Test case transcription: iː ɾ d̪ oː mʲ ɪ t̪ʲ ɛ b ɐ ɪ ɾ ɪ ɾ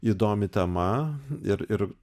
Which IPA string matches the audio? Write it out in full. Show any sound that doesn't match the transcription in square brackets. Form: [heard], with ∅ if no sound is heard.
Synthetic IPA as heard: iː [∅] d̪ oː mʲ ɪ t̪ʲ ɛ [m] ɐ ɪ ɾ ɪ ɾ

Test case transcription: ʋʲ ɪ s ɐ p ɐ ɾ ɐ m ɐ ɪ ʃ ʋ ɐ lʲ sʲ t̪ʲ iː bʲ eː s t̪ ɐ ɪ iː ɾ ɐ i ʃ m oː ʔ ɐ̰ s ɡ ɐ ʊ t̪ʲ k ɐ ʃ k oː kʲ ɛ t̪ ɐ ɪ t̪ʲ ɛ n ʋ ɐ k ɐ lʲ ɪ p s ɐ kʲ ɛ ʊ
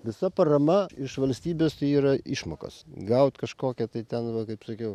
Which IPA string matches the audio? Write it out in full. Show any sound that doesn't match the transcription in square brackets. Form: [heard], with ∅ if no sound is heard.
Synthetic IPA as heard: ʋʲ ɪ s ɐ p ɐ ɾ ɐ m ɐ ɪ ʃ ʋ ɐ lʲ sʲ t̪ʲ iː bʲ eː s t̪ ɐ ɪ iː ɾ ɐ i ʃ m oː [k] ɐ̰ s ɡ ɐ ʊ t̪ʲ k ɐ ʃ k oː kʲ ɛ t̪ ɐ ɪ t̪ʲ ɛ n ʋ ɐ k ɐ [∅] ɪ p s ɐ kʲ ɛ ʊ

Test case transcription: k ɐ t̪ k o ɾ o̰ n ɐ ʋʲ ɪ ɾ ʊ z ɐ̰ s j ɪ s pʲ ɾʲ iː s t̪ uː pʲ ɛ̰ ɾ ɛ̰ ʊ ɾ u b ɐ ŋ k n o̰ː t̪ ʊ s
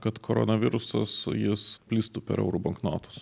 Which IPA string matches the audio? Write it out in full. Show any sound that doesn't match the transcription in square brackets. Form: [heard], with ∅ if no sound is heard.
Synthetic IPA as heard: k ɐ t̪ k o ɾ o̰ n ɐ ʋʲ ɪ ɾ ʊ [s] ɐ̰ s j ɪ s pʲ [lʲ] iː s t̪ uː pʲ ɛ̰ ɾ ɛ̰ ʊ ɾ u b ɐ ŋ k n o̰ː t̪ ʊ s

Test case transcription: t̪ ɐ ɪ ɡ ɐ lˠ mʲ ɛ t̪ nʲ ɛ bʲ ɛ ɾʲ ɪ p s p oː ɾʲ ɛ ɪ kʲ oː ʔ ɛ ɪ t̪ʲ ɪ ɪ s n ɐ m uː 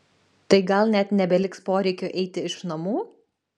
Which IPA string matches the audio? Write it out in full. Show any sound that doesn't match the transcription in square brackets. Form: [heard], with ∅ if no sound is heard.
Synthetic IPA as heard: t̪ ɐ ɪ ɡ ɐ lˠ [nʲ] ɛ t̪ nʲ ɛ bʲ ɛ [lʲ] ɪ [k] s p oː ɾʲ ɛ ɪ kʲ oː ʔ ɛ ɪ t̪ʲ ɪ ɪ [ʃ] n ɐ m uː

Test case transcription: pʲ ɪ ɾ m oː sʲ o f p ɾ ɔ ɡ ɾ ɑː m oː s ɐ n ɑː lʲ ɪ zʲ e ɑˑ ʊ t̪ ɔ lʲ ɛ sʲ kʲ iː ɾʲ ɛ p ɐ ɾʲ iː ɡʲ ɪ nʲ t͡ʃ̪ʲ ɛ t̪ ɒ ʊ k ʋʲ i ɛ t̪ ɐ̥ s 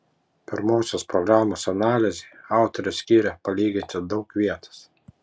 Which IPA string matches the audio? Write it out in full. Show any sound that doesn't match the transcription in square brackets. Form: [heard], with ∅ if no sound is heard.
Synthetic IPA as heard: pʲ ɪ ɾ m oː sʲ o [s] p ɾ ɔ ɡ ɾ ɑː m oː s ɐ n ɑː lʲ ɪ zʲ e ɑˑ ʊ t̪ ɔ [ɾʲ] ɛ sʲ kʲ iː ɾʲ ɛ p ɐ [lʲ] iː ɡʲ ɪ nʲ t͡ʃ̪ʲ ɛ [d̪] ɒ ʊ k ʋʲ i ɛ t̪ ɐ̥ s

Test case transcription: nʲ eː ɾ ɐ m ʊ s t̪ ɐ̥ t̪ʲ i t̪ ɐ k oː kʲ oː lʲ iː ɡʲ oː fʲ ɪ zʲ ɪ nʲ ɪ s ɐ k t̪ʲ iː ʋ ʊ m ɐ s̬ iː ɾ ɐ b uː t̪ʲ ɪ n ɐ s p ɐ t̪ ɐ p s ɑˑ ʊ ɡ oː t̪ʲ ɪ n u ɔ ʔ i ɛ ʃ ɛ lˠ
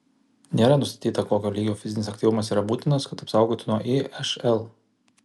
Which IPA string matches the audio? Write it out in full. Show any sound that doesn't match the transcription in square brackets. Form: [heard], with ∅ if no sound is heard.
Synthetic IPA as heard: nʲ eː ɾ ɐ [n] ʊ s t̪ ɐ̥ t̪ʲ [iː] t̪ ɐ k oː kʲ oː lʲ iː ɡʲ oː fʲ ɪ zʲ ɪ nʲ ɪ s ɐ k t̪ʲ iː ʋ ʊ m ɐ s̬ iː ɾ ɐ b uː t̪ʲ ɪ n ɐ s [k] ɐ t̪ ɐ p s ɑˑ ʊ ɡ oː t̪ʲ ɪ n u ɔ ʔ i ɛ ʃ ɛ lˠ

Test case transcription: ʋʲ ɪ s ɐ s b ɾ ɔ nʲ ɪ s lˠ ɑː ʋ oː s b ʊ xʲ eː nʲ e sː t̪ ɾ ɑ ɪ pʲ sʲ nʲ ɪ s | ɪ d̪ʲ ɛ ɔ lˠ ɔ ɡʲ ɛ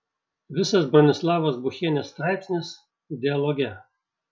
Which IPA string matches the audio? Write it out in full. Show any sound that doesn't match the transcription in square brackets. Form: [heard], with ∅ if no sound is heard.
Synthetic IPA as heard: ʋʲ ɪ s ɐ s b ɾ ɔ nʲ ɪ s lˠ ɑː ʋ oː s b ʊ xʲ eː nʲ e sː t̪ ɾ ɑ ɪ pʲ sʲ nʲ ɪ s | ɪ d̪ʲ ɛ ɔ lˠ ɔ ɡʲ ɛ

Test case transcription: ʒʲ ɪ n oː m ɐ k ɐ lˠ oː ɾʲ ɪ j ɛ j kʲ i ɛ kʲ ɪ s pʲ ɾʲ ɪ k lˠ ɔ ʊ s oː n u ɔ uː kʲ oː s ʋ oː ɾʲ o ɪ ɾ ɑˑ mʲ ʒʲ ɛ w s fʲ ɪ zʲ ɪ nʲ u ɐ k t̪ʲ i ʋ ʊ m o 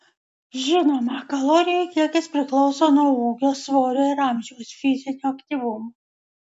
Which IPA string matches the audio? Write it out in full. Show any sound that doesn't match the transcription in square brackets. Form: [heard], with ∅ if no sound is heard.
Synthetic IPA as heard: ʒʲ ɪ n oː m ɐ k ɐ lˠ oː ɾʲ ɪ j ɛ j kʲ i ɛ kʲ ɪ s pʲ ɾʲ ɪ k lˠ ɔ ʊ s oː n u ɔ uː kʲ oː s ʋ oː ɾʲ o ɪ ɾ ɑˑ mʲ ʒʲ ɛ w s fʲ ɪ zʲ ɪ nʲ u ɐ k t̪ʲ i ʋ ʊ m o

